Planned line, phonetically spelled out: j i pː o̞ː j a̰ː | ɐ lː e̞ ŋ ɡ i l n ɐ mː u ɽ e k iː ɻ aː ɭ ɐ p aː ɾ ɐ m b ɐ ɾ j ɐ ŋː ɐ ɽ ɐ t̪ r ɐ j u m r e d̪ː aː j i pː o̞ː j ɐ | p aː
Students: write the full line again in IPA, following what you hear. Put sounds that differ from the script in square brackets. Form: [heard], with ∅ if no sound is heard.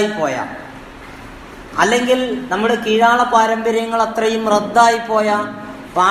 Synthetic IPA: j i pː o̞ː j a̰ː | ɐ lː e̞ ŋ ɡ i l n ɐ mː u ɽ e k iː ɻ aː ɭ ɐ p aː ɾ ɐ m b ɐ ɾ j ɐ ŋː ɐ [ɭ] ɐ t̪ r ɐ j u m r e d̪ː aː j i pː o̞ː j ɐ | p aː